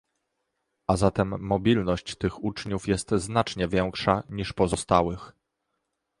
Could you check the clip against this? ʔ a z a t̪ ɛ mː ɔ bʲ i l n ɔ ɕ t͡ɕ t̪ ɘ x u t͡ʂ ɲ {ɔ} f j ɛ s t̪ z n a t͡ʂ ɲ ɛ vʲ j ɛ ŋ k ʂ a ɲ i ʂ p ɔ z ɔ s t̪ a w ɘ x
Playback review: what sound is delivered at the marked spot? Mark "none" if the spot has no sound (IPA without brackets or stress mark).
u